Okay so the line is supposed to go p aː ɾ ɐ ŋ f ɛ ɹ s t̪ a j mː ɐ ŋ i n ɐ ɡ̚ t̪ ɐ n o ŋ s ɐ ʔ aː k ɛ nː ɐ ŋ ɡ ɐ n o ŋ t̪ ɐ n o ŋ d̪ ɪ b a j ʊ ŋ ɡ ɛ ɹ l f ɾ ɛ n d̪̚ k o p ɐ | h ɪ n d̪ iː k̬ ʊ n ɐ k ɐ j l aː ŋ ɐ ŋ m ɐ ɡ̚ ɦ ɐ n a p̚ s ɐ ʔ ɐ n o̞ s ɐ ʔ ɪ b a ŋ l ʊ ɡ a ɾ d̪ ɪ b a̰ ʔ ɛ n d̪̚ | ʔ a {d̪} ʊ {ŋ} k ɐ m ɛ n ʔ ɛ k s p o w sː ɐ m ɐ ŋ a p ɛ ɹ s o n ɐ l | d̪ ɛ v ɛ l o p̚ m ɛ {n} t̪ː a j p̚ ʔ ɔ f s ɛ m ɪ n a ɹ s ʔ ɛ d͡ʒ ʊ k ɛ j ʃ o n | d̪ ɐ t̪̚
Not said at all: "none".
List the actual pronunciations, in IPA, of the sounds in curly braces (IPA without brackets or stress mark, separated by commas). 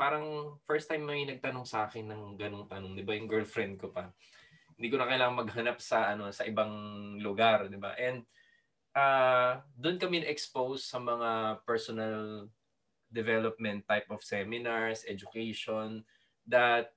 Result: d̪, n, n